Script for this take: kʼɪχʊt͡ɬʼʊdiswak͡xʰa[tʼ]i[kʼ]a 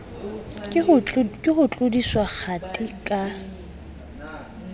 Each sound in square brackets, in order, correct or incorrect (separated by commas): correct, correct